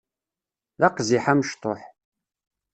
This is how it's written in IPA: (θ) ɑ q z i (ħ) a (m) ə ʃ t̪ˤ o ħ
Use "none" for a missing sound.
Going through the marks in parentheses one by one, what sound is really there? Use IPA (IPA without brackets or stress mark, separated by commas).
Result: ð, ħ, m